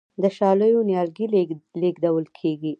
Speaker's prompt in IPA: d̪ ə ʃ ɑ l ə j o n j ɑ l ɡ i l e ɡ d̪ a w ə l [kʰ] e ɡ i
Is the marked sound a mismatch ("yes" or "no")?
no